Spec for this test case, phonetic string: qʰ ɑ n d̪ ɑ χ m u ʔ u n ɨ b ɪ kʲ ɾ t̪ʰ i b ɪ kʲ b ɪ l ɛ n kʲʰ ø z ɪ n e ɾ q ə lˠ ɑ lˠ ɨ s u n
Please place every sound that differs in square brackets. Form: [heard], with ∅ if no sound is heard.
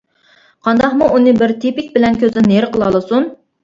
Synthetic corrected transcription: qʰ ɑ n d̪ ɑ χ m u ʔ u n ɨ b ɪ [∅] ɾ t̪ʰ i [p] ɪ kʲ b ɪ l ɛ n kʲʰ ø z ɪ n e ɾ q ə lˠ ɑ lˠ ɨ s u n